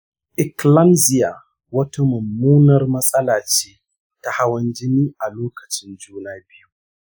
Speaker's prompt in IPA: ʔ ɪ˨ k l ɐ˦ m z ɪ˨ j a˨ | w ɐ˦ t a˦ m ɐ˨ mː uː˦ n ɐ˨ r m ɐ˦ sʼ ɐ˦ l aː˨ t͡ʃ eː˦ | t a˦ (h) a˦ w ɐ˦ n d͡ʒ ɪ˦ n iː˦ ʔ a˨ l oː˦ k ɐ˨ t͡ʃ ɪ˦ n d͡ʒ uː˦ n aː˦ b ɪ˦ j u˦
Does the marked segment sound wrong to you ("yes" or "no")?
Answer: no